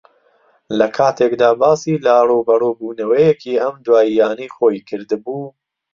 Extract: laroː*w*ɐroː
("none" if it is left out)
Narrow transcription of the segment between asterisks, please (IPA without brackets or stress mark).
b